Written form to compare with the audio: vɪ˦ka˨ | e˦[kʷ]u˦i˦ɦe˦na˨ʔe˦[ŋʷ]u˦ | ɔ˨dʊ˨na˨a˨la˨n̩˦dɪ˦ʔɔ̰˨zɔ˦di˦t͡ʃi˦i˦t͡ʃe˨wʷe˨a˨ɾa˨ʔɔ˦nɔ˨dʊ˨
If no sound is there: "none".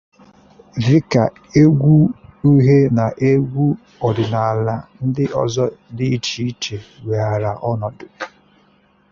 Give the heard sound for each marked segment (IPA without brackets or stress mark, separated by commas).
ɡʷ, ɡʷ